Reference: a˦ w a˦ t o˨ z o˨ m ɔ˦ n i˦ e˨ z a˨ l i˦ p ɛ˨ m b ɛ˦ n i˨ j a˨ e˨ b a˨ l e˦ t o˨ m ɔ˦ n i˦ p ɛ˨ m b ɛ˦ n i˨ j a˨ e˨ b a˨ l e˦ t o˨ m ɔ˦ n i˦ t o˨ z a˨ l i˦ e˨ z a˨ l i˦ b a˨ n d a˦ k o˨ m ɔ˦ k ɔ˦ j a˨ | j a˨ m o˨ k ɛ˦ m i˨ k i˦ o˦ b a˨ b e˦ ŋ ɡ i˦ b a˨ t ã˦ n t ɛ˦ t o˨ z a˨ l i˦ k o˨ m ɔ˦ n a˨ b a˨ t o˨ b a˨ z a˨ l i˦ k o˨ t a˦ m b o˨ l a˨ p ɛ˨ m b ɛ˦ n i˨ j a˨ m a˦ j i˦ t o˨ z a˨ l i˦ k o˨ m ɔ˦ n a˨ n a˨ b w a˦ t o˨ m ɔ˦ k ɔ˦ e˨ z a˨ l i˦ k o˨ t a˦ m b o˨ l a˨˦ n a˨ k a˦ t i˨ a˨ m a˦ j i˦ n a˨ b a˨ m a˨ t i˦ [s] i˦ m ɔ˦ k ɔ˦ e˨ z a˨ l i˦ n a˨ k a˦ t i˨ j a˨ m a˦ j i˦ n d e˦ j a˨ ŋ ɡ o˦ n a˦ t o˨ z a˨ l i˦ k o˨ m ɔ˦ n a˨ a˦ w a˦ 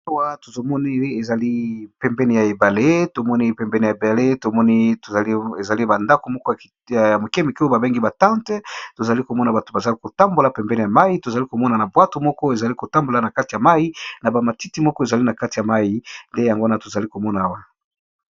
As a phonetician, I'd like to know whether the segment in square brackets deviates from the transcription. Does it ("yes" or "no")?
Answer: yes